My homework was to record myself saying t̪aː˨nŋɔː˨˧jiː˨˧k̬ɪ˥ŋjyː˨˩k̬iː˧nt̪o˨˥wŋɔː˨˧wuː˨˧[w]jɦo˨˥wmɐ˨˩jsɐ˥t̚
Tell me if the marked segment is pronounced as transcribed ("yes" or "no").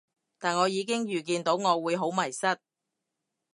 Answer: no